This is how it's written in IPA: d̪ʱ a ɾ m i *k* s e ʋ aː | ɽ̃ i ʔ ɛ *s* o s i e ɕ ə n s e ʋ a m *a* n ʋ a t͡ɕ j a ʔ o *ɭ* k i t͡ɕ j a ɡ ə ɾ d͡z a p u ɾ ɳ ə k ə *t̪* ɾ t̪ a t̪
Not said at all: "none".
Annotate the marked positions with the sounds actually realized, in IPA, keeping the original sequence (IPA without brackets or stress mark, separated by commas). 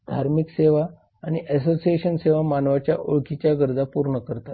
k, s, a, ɭ, none